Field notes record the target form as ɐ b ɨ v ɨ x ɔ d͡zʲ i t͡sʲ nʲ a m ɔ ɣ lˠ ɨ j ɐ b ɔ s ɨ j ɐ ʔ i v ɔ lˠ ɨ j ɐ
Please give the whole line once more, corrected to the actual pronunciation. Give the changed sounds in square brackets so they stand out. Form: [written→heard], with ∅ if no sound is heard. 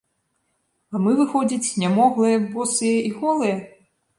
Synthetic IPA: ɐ [b→m] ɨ v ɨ x ɔ d͡zʲ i t͡sʲ nʲ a m ɔ ɣ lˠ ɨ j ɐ b ɔ s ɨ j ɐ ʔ i [v→ɣ] ɔ lˠ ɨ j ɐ